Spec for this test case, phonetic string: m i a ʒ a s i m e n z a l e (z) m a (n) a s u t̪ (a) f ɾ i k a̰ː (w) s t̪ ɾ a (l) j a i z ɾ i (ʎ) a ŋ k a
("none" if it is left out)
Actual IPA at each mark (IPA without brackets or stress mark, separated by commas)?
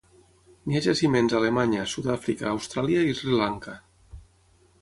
none, ɲ, a, w, l, l